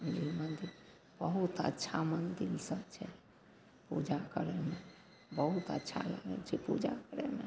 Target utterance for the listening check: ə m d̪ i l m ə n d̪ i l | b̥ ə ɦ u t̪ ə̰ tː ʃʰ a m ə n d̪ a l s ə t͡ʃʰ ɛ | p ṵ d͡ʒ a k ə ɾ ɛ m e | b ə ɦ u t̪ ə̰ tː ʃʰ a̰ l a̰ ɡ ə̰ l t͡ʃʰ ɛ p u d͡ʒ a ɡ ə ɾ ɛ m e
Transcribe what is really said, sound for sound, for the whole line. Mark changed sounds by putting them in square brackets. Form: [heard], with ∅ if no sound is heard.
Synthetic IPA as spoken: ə [n] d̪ i l m ə n d̪ i l | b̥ ə ɦ u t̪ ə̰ tː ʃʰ a m ə n d̪ [i] l s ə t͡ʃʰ ɛ | p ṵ d͡ʒ a k ə ɾ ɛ m e | b ə ɦ u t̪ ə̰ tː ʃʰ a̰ l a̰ ɡ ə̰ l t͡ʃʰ ɛ p u d͡ʒ a [k] ə ɾ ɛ m e

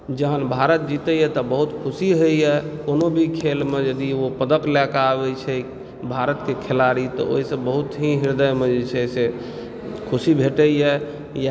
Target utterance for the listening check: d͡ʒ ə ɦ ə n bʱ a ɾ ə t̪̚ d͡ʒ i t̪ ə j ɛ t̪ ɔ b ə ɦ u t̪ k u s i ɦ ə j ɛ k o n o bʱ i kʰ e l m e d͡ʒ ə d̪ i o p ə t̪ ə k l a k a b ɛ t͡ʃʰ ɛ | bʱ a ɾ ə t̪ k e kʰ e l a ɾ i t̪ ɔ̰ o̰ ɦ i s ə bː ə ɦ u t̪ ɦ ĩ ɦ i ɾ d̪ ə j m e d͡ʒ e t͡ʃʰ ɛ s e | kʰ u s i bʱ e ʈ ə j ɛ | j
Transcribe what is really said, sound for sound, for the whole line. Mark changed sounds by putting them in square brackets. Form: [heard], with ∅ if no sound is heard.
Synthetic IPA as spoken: d͡ʒ ə ɦ ə n bʱ a ɾ ə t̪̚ d͡ʒ i t̪ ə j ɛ t̪ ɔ b ə ɦ u t̪ [kʰ] u s i ɦ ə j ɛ k o n o bʱ i kʰ e l m e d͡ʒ ə d̪ i o p ə [d̪] ə k l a k a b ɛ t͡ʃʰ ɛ | bʱ a ɾ ə t̪ k e kʰ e l a ɾ i t̪ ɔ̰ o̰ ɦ i s ə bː ə ɦ u t̪ ɦ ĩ ɦ i ɾ d̪ ə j m e d͡ʒ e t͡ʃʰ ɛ s e | kʰ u s i bʱ e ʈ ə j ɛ | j

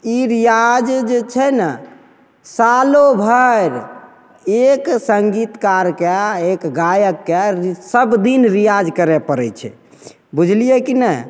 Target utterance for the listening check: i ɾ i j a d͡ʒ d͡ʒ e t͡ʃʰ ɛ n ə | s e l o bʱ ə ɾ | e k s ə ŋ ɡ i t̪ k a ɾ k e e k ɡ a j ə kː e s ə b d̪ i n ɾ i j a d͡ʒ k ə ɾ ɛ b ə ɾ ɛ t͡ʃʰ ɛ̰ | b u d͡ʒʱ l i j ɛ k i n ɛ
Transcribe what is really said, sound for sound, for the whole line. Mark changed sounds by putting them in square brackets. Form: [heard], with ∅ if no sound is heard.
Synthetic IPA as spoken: i ɾ i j a d͡ʒ d͡ʒ e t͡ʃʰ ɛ n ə | s [a] l o bʱ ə ɾ | e k s ə ŋ ɡ i t̪ k a ɾ k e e k ɡ a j ə kː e s ə b d̪ i n ɾ i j a d͡ʒ k ə ɾ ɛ [p] ə ɾ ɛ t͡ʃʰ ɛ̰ | b u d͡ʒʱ l i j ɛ k i n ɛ

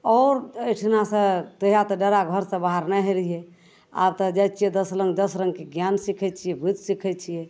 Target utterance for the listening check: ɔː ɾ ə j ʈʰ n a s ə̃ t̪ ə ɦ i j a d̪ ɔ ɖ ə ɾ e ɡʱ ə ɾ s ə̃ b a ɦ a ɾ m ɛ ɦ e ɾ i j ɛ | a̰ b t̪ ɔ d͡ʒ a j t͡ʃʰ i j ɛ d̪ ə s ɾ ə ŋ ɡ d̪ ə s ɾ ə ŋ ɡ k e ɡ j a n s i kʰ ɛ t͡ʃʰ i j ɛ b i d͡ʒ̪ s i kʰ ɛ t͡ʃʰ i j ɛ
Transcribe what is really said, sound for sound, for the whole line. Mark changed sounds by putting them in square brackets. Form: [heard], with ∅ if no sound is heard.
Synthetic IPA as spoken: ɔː ɾ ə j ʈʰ n a s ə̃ t̪ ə ɦ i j a [t̪] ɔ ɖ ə ɾ [a] ɡʱ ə ɾ s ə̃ b a ɦ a ɾ [n] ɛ ɦ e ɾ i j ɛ | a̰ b t̪ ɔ d͡ʒ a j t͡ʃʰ i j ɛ d̪ ə s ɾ ə ŋ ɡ d̪ ə s ɾ ə ŋ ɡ k e ɡ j a n s i kʰ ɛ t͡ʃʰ i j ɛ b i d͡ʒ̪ s i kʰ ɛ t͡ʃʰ i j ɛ

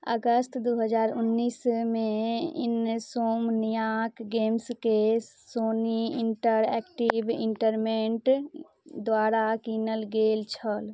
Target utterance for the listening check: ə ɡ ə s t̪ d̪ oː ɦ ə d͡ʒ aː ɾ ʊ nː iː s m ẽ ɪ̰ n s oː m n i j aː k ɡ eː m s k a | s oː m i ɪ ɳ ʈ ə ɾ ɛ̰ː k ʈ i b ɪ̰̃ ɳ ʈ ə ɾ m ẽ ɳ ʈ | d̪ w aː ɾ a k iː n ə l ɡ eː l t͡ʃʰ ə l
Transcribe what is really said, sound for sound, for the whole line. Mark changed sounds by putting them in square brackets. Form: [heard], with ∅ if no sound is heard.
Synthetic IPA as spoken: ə ɡ ə s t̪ d̪ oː ɦ ə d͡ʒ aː ɾ ʊ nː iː s m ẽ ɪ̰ n s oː m n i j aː k ɡ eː m s k [e] | s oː [n] i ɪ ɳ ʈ ə ɾ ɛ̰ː k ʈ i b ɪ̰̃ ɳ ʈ ə ɾ m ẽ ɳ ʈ | d̪ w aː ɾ a k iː n ə l ɡ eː l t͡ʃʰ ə l

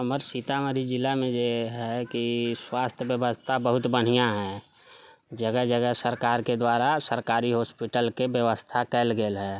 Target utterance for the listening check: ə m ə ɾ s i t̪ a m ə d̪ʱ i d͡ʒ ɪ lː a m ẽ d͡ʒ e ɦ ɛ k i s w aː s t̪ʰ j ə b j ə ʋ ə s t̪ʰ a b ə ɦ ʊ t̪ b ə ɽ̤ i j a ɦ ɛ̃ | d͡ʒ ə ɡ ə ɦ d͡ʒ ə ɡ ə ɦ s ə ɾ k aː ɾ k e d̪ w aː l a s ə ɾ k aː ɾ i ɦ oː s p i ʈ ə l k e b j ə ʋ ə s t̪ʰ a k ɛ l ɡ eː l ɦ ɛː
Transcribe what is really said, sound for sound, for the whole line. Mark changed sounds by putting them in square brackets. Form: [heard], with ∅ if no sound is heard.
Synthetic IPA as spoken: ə m ə ɾ s i t̪ a m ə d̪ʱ i d͡ʒ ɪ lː a m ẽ d͡ʒ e ɦ ɛ k i s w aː s t̪ʰ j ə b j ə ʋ ə s t̪ʰ a b ə ɦ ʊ t̪ b ə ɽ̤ i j a ɦ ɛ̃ | d͡ʒ ə ɡ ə ɦ d͡ʒ ə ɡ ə ɦ s ə ɾ k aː ɾ k e d̪ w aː [ɾ] a s ə ɾ k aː ɾ i ɦ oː s p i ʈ ə l k e b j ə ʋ ə s t̪ʰ a k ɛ l ɡ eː l ɦ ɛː

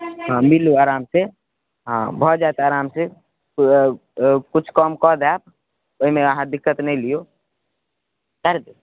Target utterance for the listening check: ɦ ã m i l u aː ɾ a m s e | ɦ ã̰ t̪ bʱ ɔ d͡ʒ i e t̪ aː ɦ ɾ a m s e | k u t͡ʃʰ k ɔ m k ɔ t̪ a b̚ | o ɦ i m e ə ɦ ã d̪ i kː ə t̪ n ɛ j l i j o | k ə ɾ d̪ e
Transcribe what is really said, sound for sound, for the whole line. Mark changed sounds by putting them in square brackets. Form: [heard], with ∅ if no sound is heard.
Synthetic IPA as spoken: ɦ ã m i l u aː ɾ a m s e | ɦ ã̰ [∅] bʱ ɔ d͡ʒ [a] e t̪ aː [∅] ɾ a m s e | k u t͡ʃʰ k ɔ m k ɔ [d̪] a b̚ | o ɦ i m e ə ɦ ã d̪ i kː ə t̪ n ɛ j l i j o | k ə ɾ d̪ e

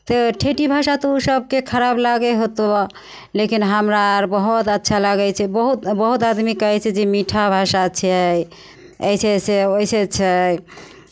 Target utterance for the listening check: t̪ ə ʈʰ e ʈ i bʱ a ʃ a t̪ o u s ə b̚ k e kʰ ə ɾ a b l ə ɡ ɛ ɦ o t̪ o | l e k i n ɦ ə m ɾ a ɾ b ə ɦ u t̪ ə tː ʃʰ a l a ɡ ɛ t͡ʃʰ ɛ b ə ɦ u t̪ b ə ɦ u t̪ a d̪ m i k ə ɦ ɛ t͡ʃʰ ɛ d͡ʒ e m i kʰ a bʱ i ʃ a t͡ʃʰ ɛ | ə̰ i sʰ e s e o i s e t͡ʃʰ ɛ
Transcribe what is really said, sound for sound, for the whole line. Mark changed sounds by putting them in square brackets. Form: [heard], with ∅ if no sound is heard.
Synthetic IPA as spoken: t̪ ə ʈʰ e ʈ i bʱ a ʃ a t̪ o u s ə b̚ k e kʰ ə ɾ a b l [a] ɡ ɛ ɦ o t̪ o | l e k i n ɦ ə m ɾ a ɾ b ə ɦ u t̪ ə tː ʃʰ a l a ɡ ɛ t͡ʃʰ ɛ b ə ɦ u t̪ b ə ɦ u t̪ a d̪ m i k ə ɦ ɛ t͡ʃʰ ɛ d͡ʒ e m i [ʈʰ] a bʱ [a] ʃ a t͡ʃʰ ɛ | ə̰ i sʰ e s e o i s e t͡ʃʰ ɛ

